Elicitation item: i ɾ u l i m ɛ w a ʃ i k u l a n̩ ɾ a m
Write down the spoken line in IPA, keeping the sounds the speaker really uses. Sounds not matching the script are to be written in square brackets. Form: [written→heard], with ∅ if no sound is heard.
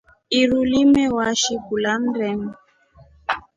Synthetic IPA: i ɾ u l i m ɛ w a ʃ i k u l a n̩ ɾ [a→ɛ] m